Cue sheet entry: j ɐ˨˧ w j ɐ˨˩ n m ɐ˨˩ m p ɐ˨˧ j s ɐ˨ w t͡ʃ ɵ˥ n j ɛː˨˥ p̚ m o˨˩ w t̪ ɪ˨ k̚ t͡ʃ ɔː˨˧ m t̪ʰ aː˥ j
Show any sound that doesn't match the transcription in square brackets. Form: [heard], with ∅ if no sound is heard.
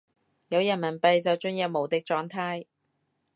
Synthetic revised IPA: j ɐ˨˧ w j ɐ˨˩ n m ɐ˨˩ [n] p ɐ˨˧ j [t͡s] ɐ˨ w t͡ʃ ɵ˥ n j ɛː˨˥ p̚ m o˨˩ w t̪ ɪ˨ k̚ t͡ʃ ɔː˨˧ [ŋ] t̪ʰ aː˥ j